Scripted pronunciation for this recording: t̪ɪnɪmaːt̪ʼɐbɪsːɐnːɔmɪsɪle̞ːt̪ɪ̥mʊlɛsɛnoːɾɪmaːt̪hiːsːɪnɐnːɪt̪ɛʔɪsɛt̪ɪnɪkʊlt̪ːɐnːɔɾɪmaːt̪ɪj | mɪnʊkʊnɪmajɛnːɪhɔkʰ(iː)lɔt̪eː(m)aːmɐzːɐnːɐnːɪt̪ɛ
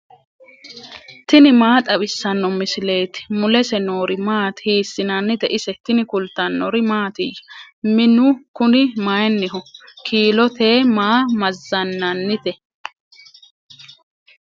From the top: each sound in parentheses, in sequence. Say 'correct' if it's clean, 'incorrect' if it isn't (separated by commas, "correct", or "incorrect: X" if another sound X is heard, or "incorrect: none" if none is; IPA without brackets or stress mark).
correct, correct